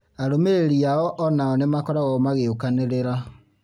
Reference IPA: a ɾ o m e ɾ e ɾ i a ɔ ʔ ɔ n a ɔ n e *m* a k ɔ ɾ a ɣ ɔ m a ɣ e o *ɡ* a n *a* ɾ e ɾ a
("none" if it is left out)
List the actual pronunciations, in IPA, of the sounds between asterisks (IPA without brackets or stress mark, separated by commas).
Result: m, k, e